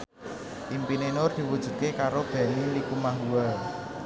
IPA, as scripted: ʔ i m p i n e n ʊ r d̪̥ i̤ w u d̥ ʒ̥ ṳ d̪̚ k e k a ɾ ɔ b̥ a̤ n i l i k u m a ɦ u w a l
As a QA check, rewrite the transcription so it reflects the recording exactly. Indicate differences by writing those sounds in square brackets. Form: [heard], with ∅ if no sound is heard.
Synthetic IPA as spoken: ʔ i m p i n e n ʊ r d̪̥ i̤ w u d̥ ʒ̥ ṳ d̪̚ k e k a ɾ [o] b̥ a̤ n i l i k u m a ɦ u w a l